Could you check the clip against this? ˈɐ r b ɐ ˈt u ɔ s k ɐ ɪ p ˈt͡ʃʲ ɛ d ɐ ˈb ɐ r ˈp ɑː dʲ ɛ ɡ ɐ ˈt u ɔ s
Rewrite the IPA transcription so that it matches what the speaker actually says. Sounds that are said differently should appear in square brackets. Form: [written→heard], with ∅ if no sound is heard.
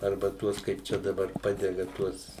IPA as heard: ˈɐ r b ɐ ˈt u ɔ s k ɐ ɪ p ˈt͡ʃʲ ɛ d ɐ ˈb ɐ r ˈp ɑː dʲ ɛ ɡ ɐ ˈt u ɔ s